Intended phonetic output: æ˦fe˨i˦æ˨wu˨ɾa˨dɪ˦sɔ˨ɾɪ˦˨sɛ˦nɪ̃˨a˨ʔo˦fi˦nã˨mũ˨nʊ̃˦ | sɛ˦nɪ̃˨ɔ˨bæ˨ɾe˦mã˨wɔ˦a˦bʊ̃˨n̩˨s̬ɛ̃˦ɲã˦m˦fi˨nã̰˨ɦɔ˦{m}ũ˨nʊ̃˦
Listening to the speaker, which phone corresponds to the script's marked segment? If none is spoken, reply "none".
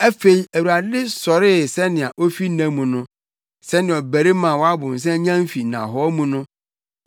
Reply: m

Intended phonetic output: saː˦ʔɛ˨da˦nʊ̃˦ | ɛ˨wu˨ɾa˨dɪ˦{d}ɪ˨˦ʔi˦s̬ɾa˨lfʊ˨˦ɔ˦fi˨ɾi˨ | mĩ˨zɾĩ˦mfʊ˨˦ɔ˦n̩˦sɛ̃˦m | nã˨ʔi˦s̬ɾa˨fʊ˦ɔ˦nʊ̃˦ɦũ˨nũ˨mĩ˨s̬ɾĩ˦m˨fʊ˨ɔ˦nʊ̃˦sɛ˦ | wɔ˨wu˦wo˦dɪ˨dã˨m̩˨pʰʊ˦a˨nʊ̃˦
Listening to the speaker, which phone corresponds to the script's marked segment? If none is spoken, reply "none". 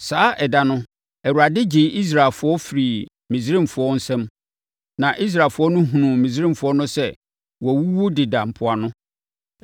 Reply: d͡ʑ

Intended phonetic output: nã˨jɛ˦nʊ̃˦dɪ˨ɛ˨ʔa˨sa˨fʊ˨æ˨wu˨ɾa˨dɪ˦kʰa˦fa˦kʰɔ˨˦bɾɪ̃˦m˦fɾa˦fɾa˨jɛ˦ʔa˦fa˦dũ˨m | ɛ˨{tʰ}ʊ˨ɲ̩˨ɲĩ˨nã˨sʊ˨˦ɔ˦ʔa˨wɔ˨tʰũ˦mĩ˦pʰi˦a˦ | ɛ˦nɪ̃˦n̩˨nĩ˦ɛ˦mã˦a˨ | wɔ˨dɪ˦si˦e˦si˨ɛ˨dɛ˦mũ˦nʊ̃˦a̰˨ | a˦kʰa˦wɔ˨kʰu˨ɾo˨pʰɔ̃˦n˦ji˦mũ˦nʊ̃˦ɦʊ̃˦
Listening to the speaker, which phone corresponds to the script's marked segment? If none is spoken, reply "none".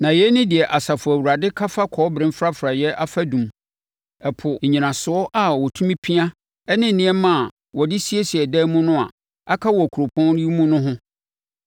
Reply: pʰ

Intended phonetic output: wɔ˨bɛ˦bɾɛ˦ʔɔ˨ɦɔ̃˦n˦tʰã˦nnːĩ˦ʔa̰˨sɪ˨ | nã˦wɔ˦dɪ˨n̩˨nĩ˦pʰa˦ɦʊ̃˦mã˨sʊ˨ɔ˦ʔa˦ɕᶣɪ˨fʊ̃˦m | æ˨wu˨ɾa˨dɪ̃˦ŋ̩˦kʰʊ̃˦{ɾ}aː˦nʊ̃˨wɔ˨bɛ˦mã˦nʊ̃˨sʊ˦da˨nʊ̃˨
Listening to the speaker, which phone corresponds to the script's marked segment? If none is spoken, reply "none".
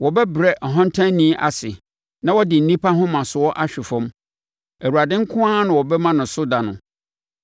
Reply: none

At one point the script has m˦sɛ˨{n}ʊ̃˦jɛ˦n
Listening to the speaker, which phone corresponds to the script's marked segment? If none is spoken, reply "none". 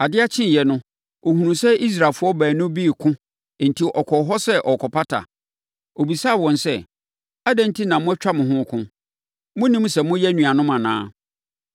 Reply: m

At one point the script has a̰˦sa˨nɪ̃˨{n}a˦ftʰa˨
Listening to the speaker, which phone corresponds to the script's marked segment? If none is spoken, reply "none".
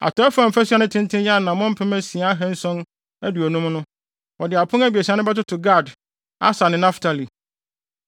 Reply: n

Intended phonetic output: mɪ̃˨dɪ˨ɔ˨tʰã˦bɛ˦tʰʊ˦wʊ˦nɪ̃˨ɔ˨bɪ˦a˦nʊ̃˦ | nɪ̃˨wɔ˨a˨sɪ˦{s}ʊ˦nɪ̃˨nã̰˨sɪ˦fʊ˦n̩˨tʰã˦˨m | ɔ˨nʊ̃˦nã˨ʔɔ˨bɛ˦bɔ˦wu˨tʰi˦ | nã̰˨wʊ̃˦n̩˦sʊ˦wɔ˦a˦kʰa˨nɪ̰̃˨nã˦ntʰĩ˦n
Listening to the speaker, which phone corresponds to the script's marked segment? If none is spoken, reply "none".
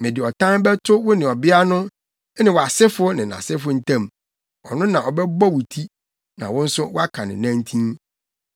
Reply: f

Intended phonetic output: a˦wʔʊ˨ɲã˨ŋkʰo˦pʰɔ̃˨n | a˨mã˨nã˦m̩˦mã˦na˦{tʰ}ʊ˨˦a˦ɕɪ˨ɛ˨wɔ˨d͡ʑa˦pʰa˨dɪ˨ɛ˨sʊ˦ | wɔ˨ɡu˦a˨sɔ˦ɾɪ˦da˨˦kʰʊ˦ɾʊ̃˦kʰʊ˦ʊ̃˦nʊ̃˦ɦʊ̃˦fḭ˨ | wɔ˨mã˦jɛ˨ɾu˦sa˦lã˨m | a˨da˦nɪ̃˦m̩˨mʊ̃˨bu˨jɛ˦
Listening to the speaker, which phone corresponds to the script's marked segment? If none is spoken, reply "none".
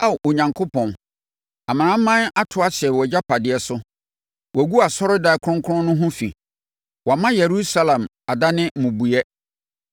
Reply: tʰ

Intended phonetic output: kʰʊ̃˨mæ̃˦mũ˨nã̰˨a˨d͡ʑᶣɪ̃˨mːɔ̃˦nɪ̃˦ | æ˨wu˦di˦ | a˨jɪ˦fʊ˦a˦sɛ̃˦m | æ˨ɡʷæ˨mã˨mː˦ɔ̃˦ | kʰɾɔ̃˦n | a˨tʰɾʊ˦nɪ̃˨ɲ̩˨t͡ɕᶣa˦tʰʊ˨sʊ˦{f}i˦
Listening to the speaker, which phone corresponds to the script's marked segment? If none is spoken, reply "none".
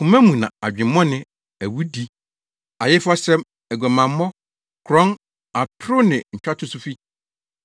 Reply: f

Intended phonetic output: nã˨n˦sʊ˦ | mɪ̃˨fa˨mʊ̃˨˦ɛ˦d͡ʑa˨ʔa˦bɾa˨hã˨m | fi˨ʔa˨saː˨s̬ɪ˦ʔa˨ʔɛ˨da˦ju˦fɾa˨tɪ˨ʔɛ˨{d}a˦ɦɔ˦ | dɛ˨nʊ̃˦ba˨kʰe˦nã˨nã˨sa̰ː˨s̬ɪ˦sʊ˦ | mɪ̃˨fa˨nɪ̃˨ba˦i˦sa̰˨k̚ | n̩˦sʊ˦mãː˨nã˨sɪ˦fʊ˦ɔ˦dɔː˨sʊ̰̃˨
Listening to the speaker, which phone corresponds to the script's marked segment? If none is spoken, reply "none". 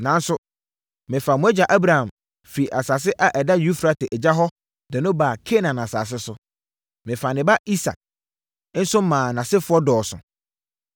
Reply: d͡ʑ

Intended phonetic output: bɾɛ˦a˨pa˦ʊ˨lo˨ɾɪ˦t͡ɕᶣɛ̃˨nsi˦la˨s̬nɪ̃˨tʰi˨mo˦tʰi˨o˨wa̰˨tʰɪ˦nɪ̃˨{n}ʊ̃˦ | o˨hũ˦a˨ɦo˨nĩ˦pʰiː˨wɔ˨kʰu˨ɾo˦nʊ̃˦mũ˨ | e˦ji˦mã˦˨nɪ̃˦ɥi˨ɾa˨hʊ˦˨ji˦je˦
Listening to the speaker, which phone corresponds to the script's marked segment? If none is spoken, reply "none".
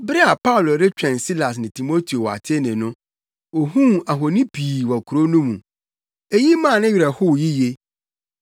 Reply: n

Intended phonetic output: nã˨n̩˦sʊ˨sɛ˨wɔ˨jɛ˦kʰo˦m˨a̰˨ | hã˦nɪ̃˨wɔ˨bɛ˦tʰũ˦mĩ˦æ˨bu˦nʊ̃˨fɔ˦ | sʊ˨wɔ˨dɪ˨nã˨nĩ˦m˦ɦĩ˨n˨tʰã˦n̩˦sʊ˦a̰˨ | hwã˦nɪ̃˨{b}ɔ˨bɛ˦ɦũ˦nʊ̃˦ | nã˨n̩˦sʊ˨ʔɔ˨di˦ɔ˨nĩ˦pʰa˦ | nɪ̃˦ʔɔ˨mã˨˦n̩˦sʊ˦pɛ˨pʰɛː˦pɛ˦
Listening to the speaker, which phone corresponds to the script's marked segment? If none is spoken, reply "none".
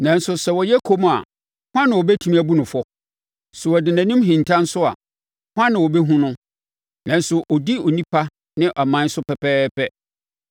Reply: w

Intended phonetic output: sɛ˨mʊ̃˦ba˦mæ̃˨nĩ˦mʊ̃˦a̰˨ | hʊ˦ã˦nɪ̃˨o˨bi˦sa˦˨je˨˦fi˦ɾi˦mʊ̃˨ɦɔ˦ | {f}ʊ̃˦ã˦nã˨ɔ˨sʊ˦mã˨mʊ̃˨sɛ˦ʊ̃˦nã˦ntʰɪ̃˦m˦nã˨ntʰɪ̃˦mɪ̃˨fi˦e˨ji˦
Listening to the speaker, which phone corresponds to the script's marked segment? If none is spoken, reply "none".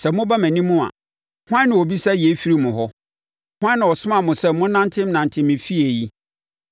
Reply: h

